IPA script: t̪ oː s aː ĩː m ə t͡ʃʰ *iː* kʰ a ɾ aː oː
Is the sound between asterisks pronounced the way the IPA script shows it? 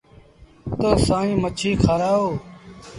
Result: yes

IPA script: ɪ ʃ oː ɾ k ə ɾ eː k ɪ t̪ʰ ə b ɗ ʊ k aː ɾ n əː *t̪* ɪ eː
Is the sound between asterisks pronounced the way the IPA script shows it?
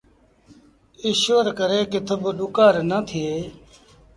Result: no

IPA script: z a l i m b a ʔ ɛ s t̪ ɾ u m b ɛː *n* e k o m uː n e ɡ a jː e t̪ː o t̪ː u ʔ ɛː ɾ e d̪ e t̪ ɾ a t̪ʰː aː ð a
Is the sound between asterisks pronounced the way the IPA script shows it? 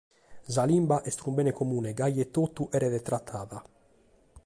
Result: yes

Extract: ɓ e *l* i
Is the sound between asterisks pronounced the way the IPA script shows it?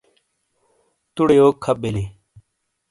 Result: yes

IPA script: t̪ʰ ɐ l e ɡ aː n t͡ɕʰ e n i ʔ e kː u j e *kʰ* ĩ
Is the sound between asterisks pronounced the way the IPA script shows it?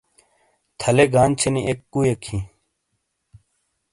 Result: yes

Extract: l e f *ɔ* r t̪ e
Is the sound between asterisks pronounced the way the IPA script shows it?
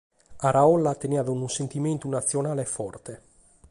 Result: yes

